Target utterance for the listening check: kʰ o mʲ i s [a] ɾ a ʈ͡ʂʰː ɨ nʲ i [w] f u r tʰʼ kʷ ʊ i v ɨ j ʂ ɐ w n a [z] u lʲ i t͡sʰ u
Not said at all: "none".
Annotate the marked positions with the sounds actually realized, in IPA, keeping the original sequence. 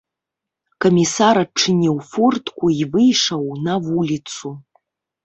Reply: a, w, v

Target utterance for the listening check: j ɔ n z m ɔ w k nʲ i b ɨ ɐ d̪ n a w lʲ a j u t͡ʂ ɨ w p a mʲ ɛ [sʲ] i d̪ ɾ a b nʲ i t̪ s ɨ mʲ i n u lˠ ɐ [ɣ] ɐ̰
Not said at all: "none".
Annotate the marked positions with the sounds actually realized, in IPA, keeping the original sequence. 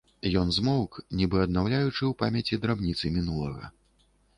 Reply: t͡sʲ, ɣ

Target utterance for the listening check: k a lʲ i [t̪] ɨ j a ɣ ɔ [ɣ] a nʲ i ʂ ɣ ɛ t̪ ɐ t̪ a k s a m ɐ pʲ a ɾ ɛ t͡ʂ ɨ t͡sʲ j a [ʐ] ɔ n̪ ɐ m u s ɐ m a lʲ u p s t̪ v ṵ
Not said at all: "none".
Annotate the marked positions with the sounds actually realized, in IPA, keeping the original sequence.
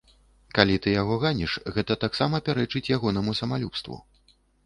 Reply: t̪, ɣ, ɣ

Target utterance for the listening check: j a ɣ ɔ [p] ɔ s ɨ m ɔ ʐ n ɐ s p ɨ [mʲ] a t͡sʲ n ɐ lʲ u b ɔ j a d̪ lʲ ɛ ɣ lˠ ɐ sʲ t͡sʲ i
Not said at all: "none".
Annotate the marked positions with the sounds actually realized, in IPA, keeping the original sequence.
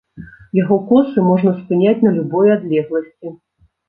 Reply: k, nʲ

